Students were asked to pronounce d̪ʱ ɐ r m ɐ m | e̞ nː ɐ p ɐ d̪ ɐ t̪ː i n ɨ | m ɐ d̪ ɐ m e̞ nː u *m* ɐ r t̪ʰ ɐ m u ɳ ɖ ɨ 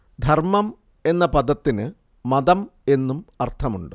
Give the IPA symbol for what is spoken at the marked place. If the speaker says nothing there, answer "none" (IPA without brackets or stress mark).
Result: m